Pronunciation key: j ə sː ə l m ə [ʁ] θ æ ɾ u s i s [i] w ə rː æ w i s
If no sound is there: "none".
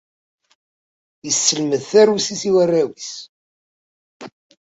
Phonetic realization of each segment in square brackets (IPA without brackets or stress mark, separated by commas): ð, i